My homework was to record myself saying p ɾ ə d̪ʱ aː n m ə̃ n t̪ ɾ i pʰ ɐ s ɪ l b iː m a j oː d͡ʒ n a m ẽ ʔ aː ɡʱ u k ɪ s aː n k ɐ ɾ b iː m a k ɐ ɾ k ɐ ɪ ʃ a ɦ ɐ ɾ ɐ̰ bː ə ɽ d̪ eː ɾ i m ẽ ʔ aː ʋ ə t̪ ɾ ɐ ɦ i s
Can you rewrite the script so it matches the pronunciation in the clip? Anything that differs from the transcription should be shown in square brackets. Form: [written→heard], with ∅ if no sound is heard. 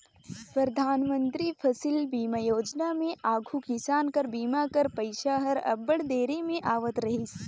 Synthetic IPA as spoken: p ɾ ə d̪ʱ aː n m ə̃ n t̪ ɾ i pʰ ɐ s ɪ l b iː m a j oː d͡ʒ n a m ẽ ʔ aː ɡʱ u k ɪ s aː n k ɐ ɾ b iː m a k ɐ ɾ [k→p] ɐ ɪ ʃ a ɦ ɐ ɾ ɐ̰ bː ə ɽ d̪ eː ɾ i m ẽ ʔ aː ʋ ə t̪ ɾ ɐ ɦ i s